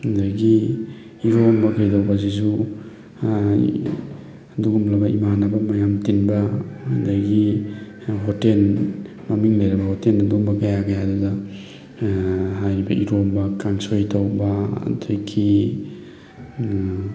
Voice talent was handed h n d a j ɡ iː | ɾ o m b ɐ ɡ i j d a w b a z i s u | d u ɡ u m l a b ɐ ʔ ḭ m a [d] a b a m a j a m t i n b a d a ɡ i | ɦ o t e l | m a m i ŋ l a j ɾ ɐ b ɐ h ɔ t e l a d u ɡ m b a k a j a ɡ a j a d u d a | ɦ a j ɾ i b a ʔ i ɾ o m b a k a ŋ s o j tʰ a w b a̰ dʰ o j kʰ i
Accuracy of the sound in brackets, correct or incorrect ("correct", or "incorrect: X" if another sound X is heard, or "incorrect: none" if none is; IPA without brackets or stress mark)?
incorrect: n